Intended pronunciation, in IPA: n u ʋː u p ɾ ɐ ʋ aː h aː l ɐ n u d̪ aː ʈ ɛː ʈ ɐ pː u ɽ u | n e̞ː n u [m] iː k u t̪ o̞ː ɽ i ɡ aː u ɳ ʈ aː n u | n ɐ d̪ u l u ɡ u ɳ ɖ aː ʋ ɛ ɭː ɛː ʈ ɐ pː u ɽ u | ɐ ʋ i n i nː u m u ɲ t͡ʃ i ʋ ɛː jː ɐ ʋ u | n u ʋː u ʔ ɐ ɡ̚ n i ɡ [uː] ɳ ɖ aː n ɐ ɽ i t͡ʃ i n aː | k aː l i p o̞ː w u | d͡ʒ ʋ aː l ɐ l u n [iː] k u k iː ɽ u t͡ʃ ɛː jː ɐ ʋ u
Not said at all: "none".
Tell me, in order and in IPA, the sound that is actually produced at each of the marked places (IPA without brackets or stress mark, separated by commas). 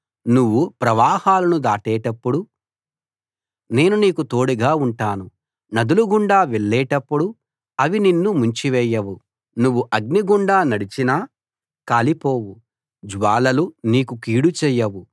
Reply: n, u, iː